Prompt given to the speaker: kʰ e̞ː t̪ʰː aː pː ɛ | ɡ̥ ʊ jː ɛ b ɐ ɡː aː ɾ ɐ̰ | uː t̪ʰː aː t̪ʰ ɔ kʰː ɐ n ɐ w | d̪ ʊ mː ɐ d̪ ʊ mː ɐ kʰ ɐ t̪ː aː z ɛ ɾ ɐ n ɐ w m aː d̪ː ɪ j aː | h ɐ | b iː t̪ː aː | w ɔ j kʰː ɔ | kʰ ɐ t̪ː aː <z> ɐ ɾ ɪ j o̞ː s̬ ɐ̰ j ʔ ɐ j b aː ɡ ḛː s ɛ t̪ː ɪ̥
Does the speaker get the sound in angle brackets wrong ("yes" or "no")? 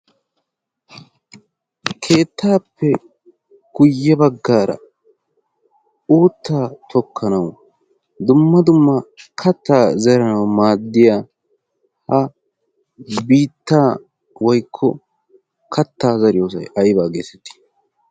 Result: no